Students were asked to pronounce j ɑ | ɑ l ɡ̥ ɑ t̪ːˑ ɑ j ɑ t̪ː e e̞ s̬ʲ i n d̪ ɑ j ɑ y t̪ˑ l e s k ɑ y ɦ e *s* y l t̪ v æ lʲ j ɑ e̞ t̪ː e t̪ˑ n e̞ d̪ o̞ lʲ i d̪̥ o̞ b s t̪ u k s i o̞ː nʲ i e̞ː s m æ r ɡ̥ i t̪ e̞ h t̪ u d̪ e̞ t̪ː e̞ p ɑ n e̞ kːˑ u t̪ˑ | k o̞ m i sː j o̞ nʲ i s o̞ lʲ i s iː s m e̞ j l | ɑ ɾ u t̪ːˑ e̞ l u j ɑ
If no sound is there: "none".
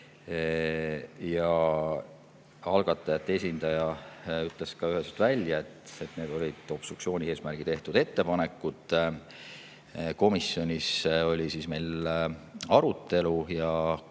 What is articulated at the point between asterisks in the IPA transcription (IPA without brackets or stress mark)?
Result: s